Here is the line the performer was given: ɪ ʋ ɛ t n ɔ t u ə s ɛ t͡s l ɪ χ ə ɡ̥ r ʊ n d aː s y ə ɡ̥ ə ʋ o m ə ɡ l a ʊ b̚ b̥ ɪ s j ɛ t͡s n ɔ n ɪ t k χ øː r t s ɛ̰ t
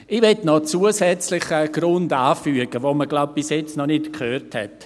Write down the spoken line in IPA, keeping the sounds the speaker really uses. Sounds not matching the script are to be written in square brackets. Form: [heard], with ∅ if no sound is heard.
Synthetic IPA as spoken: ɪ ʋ ɛ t n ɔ [t͡s] u ə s ɛ t͡s l ɪ χ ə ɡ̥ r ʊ n d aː [f] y ə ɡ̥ ə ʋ o m ə ɡ l a ʊ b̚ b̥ ɪ s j ɛ t͡s n ɔ n ɪ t k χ øː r t [h] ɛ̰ t

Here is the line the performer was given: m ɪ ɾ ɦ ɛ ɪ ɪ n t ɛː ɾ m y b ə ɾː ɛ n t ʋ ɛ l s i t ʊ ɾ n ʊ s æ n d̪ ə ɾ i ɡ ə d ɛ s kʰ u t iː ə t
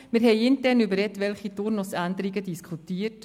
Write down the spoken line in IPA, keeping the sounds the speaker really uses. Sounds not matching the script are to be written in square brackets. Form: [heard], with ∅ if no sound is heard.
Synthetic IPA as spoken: m ɪ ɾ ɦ ɛ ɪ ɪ n t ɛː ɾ [n] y b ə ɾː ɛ [∅] t ʋ ɛ l [χ] i t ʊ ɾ n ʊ s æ n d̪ ə ɾ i ɡ ə d [i] s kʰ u t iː ə t

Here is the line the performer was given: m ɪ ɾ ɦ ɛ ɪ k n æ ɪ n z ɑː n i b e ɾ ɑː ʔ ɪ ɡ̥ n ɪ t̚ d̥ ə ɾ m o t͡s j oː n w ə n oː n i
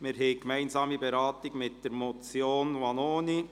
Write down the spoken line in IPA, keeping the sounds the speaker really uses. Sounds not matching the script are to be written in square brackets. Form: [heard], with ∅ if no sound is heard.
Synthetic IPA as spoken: m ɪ ɾ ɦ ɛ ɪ k [m] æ ɪ n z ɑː [m] i b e ɾ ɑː [t] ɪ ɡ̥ [m] ɪ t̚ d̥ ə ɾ m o t͡s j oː n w [ɑ] n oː n i

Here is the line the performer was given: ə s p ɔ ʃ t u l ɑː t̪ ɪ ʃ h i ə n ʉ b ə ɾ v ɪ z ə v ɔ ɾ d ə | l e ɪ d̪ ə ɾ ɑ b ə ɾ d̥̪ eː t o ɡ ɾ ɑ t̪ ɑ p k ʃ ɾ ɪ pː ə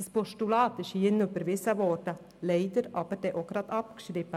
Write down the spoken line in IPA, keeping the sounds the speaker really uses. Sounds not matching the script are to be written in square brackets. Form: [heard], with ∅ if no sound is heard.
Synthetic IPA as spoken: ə s p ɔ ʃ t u l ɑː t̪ ɪ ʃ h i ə n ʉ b ə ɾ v ɪ [s] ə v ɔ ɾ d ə | l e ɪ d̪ ə ɾ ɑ b ə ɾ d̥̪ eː [ʔ] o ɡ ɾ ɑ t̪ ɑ p k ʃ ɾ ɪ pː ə

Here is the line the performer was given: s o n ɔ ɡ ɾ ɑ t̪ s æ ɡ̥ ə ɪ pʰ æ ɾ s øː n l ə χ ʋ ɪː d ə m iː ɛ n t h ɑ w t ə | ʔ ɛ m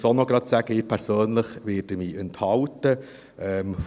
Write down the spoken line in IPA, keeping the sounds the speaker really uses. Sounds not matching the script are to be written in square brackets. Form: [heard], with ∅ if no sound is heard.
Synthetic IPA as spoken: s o n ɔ ɡ ɾ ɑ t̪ s æ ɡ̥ ə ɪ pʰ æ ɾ s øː n l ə χ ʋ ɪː d ə m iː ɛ n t h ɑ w t ə | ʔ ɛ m

